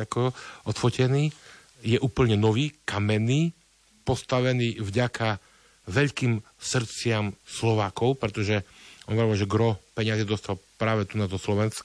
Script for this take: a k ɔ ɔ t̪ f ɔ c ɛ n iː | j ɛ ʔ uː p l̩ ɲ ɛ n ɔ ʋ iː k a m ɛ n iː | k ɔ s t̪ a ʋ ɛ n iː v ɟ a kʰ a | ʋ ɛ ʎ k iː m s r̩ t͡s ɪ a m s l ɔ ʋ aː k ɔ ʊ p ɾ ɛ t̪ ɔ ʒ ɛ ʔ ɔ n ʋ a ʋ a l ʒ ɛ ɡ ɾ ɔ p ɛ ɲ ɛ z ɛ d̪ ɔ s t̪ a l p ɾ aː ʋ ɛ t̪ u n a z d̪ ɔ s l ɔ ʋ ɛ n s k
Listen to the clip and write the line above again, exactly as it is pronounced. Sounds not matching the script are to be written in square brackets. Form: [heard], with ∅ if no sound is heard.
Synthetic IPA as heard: a k ɔ ɔ t̪ f ɔ c ɛ n iː | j ɛ ʔ uː p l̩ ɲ ɛ n ɔ ʋ iː k a m ɛ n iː | [p] ɔ s t̪ a ʋ ɛ n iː v ɟ a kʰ a | ʋ ɛ ʎ k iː m s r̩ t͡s ɪ a m s l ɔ ʋ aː k ɔ ʊ p ɾ ɛ t̪ ɔ ʒ ɛ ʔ ɔ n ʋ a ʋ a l ʒ ɛ ɡ ɾ ɔ p ɛ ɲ [a] z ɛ d̪ ɔ s t̪ a l p ɾ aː ʋ ɛ t̪ u n a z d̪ ɔ s l ɔ ʋ ɛ n s k